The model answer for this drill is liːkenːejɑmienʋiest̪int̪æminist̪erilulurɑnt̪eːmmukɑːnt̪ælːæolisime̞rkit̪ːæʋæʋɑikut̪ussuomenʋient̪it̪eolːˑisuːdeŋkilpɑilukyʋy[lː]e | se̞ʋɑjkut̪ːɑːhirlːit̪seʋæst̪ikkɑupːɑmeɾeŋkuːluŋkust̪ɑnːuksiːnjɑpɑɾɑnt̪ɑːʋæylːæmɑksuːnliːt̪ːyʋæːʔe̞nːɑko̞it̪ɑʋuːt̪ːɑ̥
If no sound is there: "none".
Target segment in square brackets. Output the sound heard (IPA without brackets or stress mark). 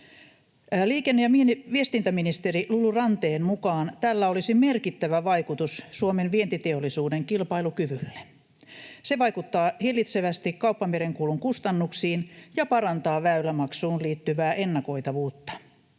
lː